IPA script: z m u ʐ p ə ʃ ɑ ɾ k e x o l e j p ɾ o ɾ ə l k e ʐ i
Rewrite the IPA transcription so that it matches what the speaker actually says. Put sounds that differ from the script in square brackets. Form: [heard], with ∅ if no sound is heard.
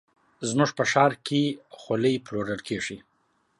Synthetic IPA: z m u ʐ p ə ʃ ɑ ɾ k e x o l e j p [l] o ɾ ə l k e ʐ i